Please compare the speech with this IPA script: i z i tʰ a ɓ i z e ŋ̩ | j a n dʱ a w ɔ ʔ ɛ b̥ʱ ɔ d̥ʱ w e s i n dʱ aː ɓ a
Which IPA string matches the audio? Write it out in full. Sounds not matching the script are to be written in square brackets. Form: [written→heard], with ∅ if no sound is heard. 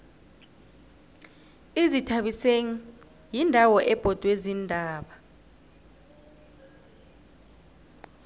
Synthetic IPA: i z i tʰ a ɓ i [z→s] e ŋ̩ | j [a→i] n dʱ a w ɔ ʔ ɛ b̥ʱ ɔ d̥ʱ w e [s→z] i n dʱ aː ɓ a